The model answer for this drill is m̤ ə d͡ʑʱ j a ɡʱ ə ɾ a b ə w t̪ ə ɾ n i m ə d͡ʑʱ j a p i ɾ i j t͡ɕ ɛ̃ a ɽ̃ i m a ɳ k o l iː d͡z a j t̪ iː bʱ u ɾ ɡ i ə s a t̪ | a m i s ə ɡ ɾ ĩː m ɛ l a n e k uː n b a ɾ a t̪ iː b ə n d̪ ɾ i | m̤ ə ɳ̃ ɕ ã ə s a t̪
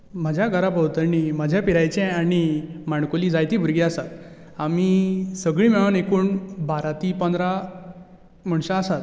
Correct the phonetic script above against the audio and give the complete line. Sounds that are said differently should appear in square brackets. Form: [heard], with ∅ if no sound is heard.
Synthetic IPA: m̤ ə d͡ʑʱ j a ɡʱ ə ɾ a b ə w t̪ ə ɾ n i m ə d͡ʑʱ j a p i ɾ [a] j t͡ɕ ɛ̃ a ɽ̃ i m a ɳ k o l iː d͡z a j t̪ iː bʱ u ɾ ɡ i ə s a t̪ | a m i s ə ɡ [ɭ] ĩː m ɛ [ɭ] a n e k uː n b a ɾ a t̪ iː [p] ə n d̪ ɾ [a] | m̤ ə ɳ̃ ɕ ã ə s a t̪